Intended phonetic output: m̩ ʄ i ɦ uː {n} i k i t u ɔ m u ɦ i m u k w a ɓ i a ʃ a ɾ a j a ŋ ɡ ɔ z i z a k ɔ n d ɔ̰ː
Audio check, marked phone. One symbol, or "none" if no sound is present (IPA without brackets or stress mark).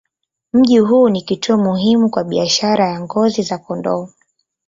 n